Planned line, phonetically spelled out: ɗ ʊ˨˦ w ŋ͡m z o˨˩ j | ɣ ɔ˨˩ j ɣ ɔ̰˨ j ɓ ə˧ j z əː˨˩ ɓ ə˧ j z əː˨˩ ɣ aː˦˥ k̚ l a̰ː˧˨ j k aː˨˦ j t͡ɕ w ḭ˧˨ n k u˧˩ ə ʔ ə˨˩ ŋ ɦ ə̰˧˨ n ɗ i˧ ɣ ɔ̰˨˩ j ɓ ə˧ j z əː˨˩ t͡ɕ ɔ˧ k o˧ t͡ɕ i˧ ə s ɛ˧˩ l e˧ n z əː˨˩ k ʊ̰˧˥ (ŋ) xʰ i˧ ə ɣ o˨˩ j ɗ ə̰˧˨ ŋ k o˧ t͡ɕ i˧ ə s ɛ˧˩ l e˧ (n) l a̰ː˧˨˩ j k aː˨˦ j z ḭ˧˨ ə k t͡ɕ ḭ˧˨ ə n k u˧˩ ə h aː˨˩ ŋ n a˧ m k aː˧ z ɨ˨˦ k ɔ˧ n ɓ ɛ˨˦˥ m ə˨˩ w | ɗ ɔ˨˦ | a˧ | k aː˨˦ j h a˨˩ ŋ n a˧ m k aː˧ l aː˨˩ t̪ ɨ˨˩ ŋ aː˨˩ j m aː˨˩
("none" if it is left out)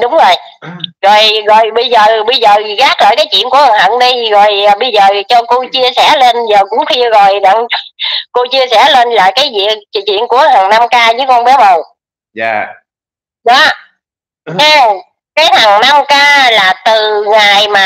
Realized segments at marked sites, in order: ŋ͡m, n

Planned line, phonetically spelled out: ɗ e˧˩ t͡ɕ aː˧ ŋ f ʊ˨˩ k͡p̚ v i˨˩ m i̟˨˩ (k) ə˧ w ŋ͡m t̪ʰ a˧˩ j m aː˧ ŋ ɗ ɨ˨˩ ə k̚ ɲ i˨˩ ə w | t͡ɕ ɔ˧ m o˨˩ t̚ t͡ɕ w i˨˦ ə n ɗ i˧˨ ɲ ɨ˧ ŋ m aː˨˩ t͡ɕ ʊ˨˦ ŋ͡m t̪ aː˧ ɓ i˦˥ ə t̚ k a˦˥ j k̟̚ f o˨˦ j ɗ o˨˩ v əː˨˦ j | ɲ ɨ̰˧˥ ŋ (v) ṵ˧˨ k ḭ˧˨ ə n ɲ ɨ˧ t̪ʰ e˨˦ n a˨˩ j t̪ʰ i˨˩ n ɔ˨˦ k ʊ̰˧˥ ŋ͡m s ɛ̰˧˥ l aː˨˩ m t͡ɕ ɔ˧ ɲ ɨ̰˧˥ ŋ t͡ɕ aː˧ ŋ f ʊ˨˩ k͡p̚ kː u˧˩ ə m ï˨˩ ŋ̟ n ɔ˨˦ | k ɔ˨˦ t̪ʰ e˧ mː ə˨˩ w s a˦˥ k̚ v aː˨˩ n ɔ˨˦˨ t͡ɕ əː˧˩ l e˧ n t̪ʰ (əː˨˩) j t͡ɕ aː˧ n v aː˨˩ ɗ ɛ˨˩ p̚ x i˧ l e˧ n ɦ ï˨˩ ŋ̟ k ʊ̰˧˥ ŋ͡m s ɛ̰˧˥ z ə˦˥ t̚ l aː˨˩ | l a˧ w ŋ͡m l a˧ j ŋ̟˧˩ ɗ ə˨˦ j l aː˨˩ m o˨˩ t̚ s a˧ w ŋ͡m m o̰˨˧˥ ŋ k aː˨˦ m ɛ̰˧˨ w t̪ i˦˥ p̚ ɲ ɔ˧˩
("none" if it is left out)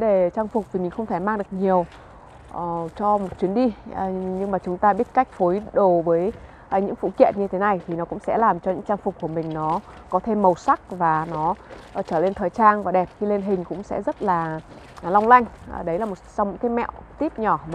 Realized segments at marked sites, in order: x, f, əː˨˩

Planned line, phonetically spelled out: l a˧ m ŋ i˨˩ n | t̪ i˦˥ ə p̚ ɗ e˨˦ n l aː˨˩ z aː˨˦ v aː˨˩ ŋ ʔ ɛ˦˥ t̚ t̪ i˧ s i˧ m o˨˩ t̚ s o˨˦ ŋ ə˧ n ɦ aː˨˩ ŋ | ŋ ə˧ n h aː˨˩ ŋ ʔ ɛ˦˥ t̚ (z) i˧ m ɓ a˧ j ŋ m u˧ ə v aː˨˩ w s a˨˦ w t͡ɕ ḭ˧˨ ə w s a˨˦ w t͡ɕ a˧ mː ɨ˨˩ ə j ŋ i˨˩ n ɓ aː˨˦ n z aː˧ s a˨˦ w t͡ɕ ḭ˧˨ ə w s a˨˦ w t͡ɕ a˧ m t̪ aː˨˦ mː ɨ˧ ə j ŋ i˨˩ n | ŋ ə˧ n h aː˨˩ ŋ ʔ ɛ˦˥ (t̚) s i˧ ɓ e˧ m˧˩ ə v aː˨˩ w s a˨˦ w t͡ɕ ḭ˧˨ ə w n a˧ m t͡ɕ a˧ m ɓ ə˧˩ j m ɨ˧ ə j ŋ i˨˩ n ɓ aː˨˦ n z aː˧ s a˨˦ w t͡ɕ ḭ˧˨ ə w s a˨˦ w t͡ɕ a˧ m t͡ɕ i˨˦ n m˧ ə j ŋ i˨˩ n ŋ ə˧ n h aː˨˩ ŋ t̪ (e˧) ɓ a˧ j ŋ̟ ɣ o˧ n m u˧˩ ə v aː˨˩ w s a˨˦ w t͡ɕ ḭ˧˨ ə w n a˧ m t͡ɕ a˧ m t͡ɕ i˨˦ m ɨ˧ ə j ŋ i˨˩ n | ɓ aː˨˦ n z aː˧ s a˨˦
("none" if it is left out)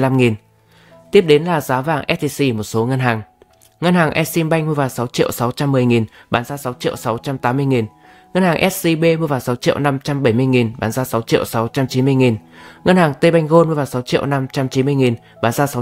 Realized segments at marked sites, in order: s, t̚, e˧

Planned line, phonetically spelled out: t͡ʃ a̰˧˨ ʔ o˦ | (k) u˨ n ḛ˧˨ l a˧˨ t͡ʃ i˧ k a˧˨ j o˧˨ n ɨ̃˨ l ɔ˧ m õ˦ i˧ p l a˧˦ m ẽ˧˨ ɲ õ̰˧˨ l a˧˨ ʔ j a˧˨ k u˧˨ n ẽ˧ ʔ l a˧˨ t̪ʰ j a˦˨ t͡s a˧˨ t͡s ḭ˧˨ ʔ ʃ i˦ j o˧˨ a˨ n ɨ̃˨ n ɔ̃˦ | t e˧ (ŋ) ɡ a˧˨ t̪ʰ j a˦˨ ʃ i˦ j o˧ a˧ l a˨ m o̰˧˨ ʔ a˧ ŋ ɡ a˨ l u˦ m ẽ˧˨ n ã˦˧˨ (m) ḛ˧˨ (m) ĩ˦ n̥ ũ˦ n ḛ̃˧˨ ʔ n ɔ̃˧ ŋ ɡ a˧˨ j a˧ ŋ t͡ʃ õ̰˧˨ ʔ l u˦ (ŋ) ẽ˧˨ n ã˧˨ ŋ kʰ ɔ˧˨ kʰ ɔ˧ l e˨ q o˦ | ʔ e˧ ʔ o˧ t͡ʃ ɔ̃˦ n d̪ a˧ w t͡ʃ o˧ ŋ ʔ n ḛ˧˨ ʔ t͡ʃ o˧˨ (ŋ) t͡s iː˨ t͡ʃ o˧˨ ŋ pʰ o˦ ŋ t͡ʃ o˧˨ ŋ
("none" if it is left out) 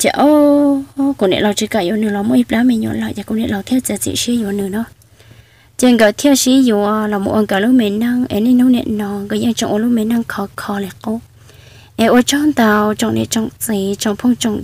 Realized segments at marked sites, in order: k, ŋ, ŋ, n, m, ŋ

